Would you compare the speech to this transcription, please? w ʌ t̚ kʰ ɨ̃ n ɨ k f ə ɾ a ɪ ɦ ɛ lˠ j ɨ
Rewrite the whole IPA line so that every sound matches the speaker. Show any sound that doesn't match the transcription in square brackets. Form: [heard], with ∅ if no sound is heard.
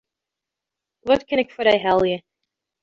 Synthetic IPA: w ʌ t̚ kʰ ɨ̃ n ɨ k f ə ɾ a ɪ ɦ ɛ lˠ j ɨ